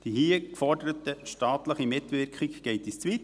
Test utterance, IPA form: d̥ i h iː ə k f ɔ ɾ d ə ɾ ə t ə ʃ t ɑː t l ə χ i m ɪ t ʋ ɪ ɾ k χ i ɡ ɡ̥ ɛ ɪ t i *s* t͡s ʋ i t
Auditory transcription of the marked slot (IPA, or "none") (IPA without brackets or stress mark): s